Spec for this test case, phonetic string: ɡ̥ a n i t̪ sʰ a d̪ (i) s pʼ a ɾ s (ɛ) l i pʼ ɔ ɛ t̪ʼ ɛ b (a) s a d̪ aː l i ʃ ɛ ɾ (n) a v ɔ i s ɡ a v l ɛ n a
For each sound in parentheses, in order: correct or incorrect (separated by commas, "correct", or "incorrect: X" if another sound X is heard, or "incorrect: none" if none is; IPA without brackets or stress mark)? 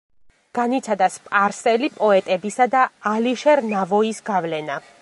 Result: incorrect: a, correct, incorrect: i, correct